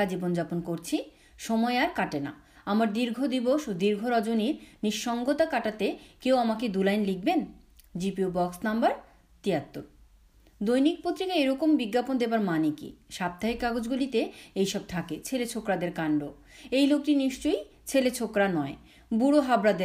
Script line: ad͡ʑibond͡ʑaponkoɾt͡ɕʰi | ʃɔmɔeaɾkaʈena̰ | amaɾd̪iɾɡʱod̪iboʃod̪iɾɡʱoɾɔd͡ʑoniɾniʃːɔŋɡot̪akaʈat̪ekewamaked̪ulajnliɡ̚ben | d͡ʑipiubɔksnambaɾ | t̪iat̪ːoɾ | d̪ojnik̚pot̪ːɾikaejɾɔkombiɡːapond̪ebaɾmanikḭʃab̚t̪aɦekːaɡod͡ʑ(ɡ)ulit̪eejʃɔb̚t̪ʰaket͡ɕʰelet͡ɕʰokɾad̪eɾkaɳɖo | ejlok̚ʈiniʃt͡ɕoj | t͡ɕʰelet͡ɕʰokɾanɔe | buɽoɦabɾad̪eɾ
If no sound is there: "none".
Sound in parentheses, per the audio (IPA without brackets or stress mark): ɡ